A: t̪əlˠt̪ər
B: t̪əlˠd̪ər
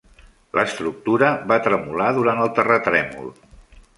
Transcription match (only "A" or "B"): A